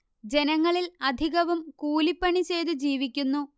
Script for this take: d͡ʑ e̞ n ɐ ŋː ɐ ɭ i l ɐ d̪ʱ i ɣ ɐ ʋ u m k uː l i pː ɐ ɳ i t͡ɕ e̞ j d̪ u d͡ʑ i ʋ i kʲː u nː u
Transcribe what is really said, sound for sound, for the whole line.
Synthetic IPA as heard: d͡ʑ e̞ n ɐ ŋː ɐ ɭ i l ɐ d̪ʱ i ɣ ɐ ʋ u m k uː l i pː ɐ ɳ i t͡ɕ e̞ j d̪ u d͡ʑ iː ʋ i kʲː u nː u